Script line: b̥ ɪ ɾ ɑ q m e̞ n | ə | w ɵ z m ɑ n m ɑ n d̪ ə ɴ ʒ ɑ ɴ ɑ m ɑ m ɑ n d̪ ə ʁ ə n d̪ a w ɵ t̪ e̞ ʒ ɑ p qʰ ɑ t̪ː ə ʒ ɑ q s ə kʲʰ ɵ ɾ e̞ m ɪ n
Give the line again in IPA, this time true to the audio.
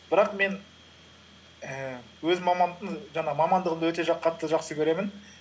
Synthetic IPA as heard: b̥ ɪ ɾ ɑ q m e̞ n | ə | w ɵ z m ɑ m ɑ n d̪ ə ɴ ʒ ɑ ɴ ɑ m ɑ m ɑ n d̪ ə ʁ ə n d̪ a w ɵ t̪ e̞ ʒ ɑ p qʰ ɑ t̪ː ə ʒ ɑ q s ə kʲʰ ɵ ɾ e̞ m ɪ n

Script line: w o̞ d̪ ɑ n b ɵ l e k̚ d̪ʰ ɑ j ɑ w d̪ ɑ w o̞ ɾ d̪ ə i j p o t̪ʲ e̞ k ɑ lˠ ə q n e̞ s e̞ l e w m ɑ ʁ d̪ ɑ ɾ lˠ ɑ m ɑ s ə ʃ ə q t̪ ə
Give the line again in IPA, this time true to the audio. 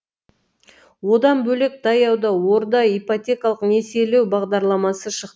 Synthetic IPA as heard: w o̞ d̪ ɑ n b ɵ l e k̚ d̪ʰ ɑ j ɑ w d̪ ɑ w o̞ ɾ d̪ ɑ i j p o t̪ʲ e̞ k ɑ lˠ ə q n e̞ s e̞ l e w b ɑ ʁ d̪ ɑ ɾ lˠ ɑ m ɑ s ə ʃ ə q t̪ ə

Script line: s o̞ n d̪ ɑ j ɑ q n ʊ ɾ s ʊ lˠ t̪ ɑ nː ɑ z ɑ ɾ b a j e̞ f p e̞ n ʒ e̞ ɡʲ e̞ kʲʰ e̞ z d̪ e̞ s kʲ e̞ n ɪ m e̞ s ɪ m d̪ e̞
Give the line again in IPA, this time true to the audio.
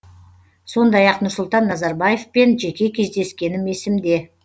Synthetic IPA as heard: s o̞ n d̪ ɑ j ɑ q n ʊ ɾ s ʊ lˠ t̪ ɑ nː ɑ z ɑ ɾ b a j e̞ f p e̞ n ʒ e̞ kʲ e̞ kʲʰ e̞ z d̪ e̞ s kʲ e̞ n ɪ m e̞ s ɪ m d̪ e̞

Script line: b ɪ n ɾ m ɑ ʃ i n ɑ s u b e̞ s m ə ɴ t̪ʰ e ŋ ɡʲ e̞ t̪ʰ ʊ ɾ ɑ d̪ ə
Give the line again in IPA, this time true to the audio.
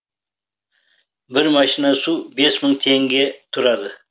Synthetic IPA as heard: b ɪ ɾ m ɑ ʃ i n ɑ s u b e̞ s m ə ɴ t̪ʰ e ŋ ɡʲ e̞ t̪ʰ ʊ ɾ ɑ d̪ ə

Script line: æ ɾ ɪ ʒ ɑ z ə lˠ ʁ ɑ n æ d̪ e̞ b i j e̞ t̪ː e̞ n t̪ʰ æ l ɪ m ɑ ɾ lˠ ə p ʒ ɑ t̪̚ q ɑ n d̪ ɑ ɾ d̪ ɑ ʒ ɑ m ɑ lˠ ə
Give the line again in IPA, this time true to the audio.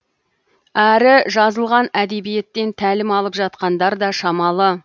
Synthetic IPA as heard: æ ɾ ɪ ʒ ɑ z ə lˠ ʁ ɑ n æ d̪ e̞ b i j e̞ t̪ː e̞ n t̪ʰ æ l ɪ m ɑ lˠ ə p ʒ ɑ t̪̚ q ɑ n d̪ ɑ ɾ d̪ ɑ ʃ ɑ m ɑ lˠ ə

